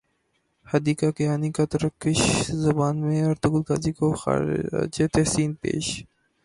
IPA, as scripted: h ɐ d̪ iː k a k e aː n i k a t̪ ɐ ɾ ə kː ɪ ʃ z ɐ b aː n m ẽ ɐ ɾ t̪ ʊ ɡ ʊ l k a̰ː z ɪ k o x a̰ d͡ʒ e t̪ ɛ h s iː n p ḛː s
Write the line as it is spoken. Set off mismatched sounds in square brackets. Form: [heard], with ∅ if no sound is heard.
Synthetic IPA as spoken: h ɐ d̪ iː k a k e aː n i k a t̪ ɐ ɾ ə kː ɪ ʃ z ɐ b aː n m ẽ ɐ ɾ t̪ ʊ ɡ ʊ l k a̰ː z [i] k o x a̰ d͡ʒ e t̪ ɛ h s iː n p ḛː [ʃ]